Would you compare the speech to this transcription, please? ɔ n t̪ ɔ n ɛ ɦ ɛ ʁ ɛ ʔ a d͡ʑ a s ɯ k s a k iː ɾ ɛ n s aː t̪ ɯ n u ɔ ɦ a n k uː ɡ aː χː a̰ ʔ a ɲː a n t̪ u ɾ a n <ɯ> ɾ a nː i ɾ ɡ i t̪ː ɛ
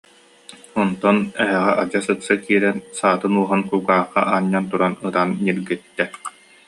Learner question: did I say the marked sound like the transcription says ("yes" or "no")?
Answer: yes